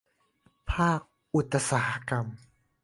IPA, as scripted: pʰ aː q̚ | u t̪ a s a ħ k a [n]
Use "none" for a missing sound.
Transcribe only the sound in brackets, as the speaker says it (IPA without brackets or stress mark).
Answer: m